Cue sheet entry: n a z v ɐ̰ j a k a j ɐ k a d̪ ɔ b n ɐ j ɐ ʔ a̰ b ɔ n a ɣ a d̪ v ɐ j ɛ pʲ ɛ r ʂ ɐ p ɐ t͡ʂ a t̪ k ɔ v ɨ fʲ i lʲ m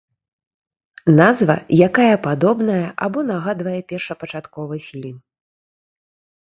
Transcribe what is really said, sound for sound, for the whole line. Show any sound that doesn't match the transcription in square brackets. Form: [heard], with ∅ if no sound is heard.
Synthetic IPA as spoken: n a z v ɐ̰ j a k a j ɐ [p] a d̪ ɔ b n ɐ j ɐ ʔ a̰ b ɔ n a ɣ a d̪ v ɐ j ɛ pʲ ɛ r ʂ ɐ p ɐ t͡ʂ a t̪ k ɔ v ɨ fʲ i lʲ m